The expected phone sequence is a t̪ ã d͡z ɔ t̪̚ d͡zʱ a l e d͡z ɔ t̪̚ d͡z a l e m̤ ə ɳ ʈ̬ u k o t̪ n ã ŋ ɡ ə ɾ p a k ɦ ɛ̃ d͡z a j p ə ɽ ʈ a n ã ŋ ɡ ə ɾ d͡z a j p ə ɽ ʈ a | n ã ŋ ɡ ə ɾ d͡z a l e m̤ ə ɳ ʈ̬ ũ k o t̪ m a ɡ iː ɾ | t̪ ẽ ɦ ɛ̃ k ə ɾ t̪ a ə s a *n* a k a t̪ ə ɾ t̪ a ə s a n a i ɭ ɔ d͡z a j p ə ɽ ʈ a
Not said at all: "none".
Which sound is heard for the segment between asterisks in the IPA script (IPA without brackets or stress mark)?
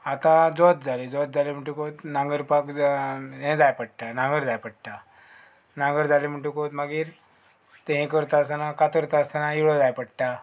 n